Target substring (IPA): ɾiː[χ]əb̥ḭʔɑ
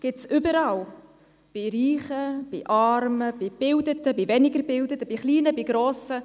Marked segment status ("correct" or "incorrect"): correct